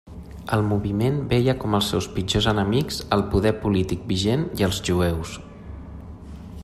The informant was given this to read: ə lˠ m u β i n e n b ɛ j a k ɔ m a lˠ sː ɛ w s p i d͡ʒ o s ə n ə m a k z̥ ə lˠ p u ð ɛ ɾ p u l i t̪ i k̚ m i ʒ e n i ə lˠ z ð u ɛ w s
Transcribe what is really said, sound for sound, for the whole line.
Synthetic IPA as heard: ə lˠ m u β i m e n b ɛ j ə k ɔ m ə lˠ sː ɛ w s p i d͡ʒ o z ə n ə m i k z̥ ə lˠ p u ð ɛ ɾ p u l i t̪ i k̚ b i ʒ e n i ə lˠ z ʒ u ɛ w s